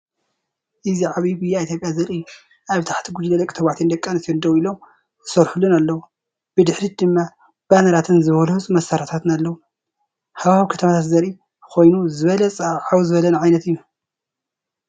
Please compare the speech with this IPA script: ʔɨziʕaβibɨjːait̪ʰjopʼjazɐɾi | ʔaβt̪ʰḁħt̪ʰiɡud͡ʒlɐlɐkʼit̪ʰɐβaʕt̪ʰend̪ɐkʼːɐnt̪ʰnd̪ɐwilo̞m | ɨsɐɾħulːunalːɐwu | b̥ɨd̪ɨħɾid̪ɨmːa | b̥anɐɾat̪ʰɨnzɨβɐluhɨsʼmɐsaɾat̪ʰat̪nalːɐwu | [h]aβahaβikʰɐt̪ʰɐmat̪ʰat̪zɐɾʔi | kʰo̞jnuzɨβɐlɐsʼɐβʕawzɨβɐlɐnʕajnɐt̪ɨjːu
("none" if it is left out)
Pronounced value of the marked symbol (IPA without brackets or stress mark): h